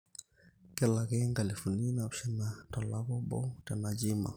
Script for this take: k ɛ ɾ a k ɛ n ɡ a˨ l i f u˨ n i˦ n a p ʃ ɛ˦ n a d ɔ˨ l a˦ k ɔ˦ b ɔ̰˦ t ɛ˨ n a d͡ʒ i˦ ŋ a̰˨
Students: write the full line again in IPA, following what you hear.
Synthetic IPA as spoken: k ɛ l a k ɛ ŋ ɡ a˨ l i f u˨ n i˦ n a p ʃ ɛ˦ n a t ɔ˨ l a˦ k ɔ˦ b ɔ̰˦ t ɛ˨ n a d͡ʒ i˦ m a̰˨